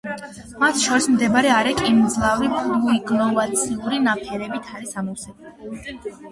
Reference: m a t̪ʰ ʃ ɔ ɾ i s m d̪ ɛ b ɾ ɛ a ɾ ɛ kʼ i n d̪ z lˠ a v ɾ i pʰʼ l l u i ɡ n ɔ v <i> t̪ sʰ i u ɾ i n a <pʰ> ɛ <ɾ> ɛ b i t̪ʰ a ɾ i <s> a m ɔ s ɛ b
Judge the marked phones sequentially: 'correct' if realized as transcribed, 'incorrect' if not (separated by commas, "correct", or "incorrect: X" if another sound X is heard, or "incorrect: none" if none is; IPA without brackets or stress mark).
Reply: incorrect: a, correct, correct, correct